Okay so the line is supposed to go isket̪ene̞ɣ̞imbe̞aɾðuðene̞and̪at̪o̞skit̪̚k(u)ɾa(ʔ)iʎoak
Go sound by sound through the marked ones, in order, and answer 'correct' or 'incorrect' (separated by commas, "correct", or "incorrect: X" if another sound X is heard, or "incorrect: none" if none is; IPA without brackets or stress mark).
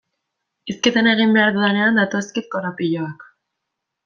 incorrect: o, incorrect: p